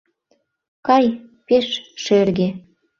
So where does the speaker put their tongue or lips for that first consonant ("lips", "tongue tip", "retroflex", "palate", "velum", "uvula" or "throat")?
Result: velum